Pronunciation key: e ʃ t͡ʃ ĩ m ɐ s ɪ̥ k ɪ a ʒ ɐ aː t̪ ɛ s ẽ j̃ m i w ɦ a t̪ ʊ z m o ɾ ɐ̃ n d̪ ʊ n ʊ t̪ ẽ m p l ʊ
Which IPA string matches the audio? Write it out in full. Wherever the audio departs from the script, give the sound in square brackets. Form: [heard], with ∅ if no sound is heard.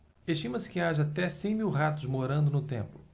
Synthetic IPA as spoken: e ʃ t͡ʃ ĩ m ɐ s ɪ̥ k ɪ a ʒ ɐ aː t̪ ɛ s ẽ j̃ m i w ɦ a t̪ ʊ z m o ɾ ɐ̃ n d̪ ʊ n ʊ t̪ ẽ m p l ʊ

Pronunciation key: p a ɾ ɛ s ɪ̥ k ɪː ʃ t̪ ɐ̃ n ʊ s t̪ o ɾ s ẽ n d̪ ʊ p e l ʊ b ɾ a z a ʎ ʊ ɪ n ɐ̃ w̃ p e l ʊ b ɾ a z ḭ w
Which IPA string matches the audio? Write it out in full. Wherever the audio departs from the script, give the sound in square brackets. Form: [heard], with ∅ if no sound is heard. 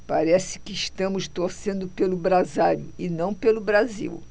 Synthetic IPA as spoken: p a ɾ ɛ s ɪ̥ k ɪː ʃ t̪ ɐ̃ [m] ʊ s t̪ o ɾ s ẽ n d̪ ʊ p e l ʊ b ɾ a z a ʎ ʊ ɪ n ɐ̃ w̃ p e l ʊ b ɾ a z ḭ w

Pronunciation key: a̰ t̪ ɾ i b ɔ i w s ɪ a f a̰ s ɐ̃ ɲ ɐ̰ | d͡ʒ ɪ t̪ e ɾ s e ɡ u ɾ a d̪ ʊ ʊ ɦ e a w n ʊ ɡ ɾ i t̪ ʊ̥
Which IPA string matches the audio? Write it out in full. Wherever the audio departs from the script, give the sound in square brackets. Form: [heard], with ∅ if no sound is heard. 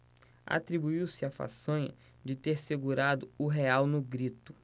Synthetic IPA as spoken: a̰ t̪ ɾ i b [u] i w s ɪ a f a̰ s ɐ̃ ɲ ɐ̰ | d͡ʒ ɪ t̪ e ɾ s e ɡ u ɾ a d̪ ʊ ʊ ɦ e a w n ʊ ɡ ɾ i t̪ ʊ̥

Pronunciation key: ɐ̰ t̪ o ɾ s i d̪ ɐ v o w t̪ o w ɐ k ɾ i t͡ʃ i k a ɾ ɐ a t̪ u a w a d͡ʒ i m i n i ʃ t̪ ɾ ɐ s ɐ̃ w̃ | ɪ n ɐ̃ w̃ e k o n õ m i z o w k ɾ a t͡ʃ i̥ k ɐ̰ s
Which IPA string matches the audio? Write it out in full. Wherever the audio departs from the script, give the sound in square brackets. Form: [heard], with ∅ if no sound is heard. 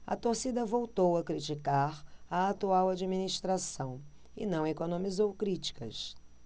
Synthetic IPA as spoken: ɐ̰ t̪ o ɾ s i d̪ ɐ v o w t̪ o w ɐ k ɾ i t͡ʃ i k a ɾ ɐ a t̪ u a w a d͡ʒ i m i n i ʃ t̪ ɾ [a] s ɐ̃ w̃ | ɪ n ɐ̃ w̃ e k o n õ m i z o w k ɾ [i] t͡ʃ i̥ k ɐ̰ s

